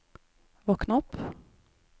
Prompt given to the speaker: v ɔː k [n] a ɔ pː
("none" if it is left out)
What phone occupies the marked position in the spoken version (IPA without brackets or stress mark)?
n